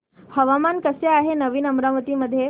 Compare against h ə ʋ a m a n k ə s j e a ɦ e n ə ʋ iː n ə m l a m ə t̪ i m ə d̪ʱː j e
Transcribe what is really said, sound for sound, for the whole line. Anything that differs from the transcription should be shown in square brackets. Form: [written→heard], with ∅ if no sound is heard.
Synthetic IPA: h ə ʋ a m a n k ə s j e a ɦ e n ə ʋ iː n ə m [l→ɾ] a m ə t̪ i m ə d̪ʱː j e